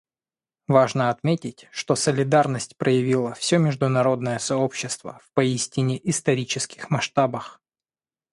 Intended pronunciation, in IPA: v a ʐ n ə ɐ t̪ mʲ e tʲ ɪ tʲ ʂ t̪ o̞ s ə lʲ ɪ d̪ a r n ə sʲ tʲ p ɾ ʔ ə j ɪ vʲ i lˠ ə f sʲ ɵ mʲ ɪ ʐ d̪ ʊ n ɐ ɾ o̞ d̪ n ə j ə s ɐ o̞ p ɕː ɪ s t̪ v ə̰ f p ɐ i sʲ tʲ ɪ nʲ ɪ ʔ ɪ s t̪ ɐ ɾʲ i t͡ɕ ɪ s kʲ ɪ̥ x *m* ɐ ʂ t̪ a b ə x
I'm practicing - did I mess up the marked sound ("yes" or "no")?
no